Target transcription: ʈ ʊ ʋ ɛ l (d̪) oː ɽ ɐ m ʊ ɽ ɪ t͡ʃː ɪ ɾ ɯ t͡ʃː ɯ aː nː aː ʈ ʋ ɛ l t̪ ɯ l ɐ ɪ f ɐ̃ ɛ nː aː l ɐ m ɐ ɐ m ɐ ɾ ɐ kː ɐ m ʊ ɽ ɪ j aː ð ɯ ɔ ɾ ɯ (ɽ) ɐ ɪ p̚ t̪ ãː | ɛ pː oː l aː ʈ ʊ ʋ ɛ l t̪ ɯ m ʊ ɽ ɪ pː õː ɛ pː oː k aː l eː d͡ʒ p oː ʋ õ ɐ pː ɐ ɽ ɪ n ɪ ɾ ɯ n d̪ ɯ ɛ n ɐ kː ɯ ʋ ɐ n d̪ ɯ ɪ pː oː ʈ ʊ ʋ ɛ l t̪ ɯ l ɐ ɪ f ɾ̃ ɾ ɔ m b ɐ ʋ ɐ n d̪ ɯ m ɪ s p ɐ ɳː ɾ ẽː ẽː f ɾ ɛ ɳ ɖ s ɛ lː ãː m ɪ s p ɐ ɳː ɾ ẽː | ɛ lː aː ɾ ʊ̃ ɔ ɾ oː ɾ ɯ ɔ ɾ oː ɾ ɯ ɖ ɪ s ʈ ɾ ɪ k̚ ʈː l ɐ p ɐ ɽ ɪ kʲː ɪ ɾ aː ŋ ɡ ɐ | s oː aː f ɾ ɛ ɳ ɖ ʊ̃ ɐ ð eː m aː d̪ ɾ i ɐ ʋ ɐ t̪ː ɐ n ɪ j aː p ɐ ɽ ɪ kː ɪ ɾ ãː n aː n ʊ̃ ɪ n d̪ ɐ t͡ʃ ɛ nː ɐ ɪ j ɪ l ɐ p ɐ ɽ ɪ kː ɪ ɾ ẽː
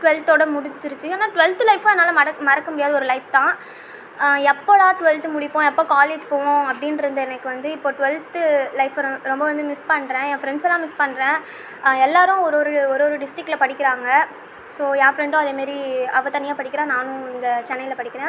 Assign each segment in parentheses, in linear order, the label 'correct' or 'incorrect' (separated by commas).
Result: incorrect, incorrect